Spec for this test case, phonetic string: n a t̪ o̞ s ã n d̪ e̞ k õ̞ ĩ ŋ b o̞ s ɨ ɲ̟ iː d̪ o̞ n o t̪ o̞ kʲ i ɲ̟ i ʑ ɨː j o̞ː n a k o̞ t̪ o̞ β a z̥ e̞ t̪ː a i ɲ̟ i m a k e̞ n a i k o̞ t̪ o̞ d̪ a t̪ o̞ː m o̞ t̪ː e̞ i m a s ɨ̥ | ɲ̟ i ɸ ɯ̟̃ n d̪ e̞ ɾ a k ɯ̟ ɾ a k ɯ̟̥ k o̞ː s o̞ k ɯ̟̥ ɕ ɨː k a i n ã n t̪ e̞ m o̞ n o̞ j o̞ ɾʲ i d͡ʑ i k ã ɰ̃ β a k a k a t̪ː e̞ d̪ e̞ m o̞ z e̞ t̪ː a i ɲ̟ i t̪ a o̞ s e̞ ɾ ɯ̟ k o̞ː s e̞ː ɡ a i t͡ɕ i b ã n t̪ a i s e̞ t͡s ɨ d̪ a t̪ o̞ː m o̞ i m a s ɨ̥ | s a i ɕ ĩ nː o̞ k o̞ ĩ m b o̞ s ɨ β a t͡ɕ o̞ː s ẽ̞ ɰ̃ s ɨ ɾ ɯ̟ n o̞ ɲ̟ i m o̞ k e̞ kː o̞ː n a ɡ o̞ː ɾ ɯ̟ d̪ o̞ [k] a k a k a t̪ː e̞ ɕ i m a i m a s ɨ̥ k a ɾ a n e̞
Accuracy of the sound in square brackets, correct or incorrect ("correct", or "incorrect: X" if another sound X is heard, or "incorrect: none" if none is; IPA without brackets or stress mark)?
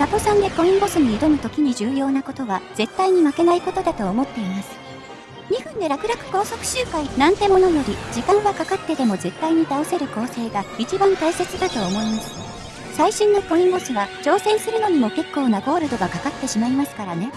incorrect: ɡ